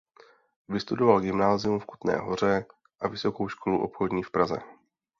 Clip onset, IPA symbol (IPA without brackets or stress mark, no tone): v